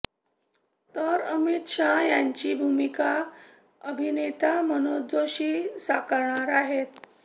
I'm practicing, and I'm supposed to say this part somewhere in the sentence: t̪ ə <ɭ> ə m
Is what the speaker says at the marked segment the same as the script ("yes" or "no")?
no